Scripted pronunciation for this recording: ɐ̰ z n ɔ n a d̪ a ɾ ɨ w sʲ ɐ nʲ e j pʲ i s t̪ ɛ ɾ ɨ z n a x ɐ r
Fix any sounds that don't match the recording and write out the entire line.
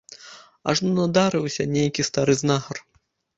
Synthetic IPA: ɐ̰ ʐ n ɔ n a d̪ a ɾ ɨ w sʲ ɐ nʲ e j kʲ i s t̪ a ɾ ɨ z n a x ɐ r